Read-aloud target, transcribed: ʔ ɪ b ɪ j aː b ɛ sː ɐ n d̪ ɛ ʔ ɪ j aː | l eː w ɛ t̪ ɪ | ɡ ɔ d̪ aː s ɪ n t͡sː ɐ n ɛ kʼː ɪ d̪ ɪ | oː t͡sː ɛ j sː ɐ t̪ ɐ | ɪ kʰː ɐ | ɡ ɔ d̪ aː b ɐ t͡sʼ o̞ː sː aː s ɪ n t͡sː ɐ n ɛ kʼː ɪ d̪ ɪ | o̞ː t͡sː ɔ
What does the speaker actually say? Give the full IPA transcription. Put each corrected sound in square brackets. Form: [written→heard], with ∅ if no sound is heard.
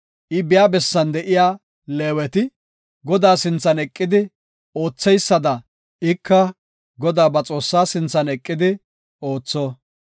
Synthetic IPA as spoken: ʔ ɪ b ɪ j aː b ɛ sː ɐ n d̪ ɛ ʔ ɪ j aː | l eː w ɛ t̪ ɪ | ɡ ɔ d̪ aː s ɪ n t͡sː ɐ n ɛ kʼː ɪ d̪ ɪ | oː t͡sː ɛ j sː ɐ [t̪→d̪] ɐ | ɪ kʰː ɐ | ɡ ɔ d̪ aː b ɐ t͡sʼ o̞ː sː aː s ɪ n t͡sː ɐ n ɛ kʼː ɪ d̪ ɪ | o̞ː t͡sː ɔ

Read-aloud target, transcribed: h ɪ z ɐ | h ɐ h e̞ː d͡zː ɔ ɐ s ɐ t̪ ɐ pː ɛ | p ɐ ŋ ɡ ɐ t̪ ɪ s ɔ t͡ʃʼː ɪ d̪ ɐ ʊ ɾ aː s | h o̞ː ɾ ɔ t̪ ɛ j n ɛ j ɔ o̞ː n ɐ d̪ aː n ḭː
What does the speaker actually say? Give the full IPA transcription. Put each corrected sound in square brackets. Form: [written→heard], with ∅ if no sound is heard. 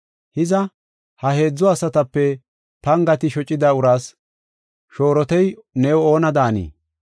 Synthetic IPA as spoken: h ɪ z ɐ | h ɐ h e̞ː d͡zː ɔ ɐ s ɐ t̪ ɐ pː ɛ | p ɐ ŋ ɡ ɐ t̪ ɪ [s→ʃ] ɔ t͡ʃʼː ɪ d̪ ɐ ʊ ɾ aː s | [h→ʃ] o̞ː ɾ ɔ t̪ ɛ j n ɛ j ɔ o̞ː n ɐ d̪ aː n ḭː

